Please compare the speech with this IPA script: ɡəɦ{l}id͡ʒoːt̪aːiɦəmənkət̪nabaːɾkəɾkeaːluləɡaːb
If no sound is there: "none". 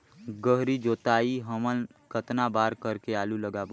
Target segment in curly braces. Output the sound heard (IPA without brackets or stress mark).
ɾ